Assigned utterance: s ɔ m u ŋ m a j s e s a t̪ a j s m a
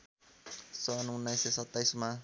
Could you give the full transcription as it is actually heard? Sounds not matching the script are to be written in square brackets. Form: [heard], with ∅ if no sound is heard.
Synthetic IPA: s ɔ [n] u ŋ [n] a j s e s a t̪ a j s m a